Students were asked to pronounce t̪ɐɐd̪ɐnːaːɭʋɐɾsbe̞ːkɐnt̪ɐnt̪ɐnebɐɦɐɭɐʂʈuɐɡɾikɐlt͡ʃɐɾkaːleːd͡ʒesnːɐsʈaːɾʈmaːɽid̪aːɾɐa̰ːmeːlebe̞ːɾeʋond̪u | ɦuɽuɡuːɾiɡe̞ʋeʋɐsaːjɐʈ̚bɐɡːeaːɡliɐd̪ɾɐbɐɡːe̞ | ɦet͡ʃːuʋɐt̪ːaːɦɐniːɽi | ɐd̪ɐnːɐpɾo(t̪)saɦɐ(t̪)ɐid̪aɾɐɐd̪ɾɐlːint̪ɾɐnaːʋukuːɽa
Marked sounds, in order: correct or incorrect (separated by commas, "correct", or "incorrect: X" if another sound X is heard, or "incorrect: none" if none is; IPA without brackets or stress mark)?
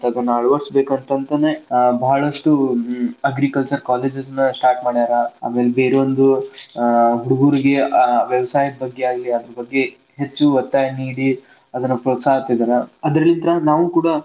correct, correct